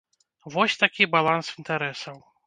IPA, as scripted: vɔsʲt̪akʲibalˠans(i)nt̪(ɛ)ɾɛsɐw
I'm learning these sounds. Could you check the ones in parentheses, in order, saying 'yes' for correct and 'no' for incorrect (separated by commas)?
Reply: yes, no